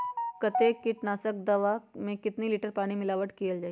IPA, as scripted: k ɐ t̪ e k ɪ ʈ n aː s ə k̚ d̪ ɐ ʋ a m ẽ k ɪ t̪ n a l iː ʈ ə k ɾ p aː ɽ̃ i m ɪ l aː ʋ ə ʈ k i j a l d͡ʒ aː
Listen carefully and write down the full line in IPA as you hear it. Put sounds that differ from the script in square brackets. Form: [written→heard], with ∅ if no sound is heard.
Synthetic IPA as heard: k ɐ t̪ e k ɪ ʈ n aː s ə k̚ d̪ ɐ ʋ a m ẽ k ɪ t̪ n [a→i] l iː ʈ ə [k→∅] ɾ p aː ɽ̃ i m ɪ l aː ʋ ə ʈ k i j [a→ə] l d͡ʒ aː